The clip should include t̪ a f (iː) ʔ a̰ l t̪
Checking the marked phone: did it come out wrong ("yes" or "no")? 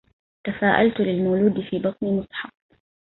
yes